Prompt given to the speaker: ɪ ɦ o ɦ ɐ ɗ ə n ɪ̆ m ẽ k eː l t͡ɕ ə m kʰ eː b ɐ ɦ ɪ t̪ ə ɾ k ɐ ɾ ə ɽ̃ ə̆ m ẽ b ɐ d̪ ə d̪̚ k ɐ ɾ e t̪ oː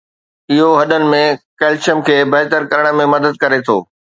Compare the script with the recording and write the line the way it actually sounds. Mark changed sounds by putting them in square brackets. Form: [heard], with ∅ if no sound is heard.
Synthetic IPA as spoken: ɪ ɦ o ɦ ɐ ɗ ə n ɪ̆ m ẽ k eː l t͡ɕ ə m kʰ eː b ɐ ɦ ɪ t̪ ə ɾ k ɐ ɾ ə ɽ̃ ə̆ m ẽ [m] ɐ d̪ ə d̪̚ k ɐ ɾ e [t̪ʰ] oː